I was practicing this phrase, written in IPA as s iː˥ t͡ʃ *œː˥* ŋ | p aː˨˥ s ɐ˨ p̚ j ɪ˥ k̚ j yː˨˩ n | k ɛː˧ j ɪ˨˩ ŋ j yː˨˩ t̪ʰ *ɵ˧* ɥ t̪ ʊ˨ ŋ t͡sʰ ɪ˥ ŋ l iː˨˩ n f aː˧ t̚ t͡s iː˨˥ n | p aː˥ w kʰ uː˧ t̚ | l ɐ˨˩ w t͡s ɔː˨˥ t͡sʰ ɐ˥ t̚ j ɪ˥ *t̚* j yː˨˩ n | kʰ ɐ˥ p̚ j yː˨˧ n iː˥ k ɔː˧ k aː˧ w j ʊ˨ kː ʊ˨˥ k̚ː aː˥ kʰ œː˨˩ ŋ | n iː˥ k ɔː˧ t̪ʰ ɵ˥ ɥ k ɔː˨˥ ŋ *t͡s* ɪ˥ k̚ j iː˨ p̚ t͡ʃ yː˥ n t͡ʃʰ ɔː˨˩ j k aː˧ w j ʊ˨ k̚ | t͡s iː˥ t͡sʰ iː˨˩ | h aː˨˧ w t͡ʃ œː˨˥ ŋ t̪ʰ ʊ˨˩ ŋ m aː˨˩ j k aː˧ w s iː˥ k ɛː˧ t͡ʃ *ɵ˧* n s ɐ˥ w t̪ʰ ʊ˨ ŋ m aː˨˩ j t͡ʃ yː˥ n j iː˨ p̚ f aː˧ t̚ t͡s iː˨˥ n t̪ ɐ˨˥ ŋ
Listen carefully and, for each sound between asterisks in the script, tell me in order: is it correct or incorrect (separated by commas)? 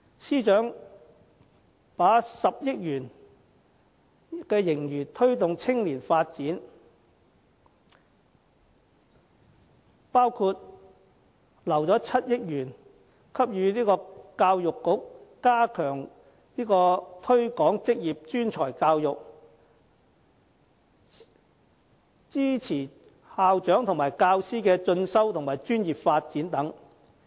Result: incorrect, incorrect, incorrect, correct, correct